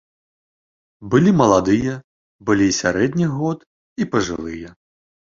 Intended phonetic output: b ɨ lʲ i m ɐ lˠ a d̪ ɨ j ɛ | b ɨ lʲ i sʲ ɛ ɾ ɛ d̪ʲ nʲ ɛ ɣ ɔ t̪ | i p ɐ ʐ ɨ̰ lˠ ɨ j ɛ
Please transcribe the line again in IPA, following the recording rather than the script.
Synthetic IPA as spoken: b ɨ lʲ i m ɐ lˠ a d̪ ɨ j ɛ | b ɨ lʲ i sʲ a ɾ ɛ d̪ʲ nʲ i ɣ ɔ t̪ | i p ɐ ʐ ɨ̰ lˠ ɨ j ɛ